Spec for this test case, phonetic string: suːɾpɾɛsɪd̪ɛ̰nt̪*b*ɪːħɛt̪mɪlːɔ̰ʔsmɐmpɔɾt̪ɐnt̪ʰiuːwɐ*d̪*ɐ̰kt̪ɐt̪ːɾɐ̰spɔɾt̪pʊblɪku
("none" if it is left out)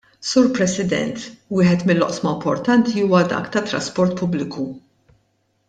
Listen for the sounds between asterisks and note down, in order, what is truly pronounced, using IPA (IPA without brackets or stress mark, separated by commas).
w, d̪